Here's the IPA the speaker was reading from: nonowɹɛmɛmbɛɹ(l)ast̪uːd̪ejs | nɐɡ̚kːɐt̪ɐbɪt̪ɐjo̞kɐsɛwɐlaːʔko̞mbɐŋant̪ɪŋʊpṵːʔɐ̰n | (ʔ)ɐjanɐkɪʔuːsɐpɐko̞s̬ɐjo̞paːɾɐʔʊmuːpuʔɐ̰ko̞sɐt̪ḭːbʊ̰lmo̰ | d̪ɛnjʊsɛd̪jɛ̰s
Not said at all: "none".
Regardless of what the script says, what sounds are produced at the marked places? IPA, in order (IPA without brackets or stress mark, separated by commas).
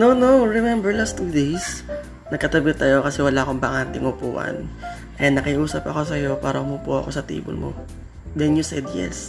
l, k